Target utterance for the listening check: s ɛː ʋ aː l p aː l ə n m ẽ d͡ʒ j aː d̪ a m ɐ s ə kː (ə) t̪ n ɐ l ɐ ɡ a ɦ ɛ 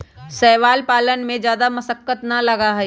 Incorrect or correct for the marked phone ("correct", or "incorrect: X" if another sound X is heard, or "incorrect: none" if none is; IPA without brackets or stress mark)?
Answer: correct